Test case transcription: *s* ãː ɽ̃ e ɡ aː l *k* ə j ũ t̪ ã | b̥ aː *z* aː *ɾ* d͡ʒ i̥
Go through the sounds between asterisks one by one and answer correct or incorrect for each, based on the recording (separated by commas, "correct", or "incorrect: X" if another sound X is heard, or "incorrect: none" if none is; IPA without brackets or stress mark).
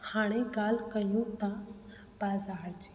incorrect: h, correct, correct, correct